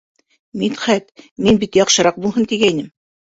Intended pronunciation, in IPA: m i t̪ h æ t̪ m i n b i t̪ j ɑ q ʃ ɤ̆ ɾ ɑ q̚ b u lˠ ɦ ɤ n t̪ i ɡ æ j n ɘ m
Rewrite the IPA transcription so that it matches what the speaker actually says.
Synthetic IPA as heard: m i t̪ χ æ t̪ m i n b i t̪ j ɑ q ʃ ɤ̆ ɾ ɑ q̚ b u lˠ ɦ ɤ n t̪ i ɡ æ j n ɘ m

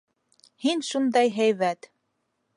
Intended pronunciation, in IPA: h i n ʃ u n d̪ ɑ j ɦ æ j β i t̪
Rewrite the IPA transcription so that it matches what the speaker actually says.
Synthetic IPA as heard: h i n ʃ u n d̪ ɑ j ɦ æ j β æ t̪

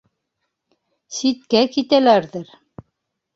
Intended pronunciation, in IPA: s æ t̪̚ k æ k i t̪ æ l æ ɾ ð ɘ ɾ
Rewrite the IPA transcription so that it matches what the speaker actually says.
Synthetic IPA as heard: s i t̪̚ k æ k i t̪ æ l æ ɾ ð ɘ ɾ

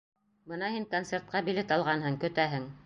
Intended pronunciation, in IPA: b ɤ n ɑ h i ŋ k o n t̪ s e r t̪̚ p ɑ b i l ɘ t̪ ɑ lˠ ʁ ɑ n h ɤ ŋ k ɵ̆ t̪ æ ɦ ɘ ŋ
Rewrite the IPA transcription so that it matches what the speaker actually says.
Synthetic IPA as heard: b ɤ n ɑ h i ŋ k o n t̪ s e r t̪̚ q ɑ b i l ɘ t̪ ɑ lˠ ʁ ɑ n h ɤ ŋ k ɵ̆ t̪ æ ɦ ɘ ŋ

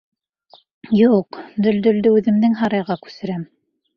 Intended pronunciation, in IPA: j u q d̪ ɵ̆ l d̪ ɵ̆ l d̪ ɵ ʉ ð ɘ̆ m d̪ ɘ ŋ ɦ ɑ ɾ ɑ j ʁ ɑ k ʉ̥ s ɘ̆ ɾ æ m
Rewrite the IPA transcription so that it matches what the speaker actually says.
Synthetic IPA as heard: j u q d̪ ɵ̆ l d̪ ɵ̆ l d̪ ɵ ʉ ð ɘ̆ m d̪ ɘ ŋ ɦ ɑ ɾ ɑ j ʁ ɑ k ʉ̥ s ɘ̆ ɾ æ m

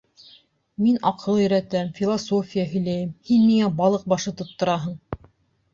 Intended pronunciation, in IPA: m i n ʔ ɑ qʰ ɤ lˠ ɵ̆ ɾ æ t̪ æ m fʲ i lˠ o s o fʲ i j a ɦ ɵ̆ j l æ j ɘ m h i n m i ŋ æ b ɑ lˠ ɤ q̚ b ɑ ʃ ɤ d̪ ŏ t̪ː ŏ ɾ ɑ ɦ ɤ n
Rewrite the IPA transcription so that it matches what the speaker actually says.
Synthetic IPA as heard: m i n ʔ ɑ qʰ ɤ lˠ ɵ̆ ɾ æ t̪ æ m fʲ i lˠ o s o fʲ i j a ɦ ɵ̆ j l æ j ɘ m h i n m i ŋ æ b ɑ lˠ ɤ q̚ b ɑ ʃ ɤ t̪ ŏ t̪ː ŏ ɾ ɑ ɦ ɤ ɴ

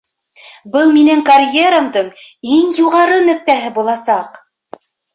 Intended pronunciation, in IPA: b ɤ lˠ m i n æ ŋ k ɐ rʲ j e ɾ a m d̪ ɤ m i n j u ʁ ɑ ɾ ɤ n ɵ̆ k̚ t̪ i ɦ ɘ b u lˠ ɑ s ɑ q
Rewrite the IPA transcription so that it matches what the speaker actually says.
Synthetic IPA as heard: b ɤ lˠ m i n æ ŋ k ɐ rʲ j e ɾ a m d̪ ɤ ɴ i ŋ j u ʁ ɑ ɾ ɤ n ɵ̆ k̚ t̪ æ ɦ ɘ b u lˠ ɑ s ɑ q

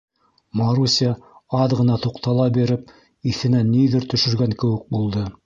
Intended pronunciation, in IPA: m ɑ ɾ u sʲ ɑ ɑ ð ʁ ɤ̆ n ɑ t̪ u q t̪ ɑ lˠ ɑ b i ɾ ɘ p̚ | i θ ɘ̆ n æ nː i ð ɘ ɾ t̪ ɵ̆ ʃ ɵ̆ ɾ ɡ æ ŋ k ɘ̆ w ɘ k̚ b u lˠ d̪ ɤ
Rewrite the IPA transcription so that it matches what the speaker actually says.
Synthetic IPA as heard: m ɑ ɾ u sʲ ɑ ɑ ð ʁ ɤ̆ n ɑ t̪ u q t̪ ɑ lˠ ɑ b i ɾ ɘ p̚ | i θ ɘ̆ n æ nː i ð ɘ ɾ t̪ ɵ̆ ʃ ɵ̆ ɾ ɡ æ ŋ k ɘ̆ w ɘ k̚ b u lˠ d̪ ɤ

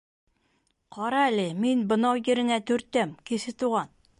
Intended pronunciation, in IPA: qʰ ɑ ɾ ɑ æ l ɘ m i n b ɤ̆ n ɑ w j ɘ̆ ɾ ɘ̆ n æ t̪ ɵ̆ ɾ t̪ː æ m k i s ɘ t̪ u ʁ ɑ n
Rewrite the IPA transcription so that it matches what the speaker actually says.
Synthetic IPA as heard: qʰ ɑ ɾ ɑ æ l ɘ m i n b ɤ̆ n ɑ w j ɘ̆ ɾ ɘ̆ n æ t̪ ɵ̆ ɾ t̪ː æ m k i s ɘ t̪ u ʁ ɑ n

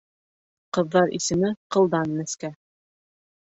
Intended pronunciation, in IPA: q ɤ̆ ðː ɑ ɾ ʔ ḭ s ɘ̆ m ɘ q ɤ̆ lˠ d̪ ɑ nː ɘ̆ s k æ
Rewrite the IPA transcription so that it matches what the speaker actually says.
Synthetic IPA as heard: q ɤ̆ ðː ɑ ɾ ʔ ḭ s ɘ̆ m ɘ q ɤ̆ lˠ d̪ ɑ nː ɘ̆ s k æ

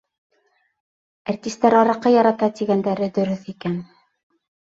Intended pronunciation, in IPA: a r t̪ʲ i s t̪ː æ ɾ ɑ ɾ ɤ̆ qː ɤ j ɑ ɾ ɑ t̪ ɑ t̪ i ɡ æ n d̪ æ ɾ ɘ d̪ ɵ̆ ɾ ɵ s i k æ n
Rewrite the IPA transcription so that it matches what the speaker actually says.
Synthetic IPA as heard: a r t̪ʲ i s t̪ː æ ɾ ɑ ɾ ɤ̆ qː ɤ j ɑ ɾ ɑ t̪ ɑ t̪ i ɡ æ n d̪ æ ɾ ɘ d̪ ɵ̆ ɾ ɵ θ i k æ n

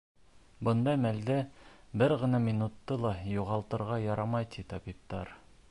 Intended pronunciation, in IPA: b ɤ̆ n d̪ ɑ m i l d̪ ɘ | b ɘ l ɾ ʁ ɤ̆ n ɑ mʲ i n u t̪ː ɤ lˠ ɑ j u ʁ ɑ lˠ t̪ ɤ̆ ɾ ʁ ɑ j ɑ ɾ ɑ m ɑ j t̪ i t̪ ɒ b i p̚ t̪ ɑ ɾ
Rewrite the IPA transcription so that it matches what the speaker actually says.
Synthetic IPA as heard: b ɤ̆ n d̪ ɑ m æ l d̪ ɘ | b ɘ ɾ ʁ ɤ̆ n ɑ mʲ i n u t̪ː ɤ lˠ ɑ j u ʁ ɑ lˠ t̪ ɤ̆ ɾ ʁ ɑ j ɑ ɾ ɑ m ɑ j t̪ i t̪ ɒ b i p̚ t̪ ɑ ɾ

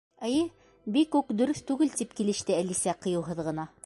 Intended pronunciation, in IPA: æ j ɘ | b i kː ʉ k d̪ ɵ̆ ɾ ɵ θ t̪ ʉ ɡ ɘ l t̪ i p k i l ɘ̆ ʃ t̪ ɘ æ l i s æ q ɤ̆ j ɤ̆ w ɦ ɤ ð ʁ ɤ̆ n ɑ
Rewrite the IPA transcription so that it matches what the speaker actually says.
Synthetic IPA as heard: æ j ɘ | b i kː ʉ k d̪ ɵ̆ ɾ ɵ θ t̪ ʉ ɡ ɘ l t̪ i p k i l ɘ̆ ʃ t̪ ɘ æ l i s æ q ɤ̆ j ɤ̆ w ɦ ɤ ð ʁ ɤ̆ n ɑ

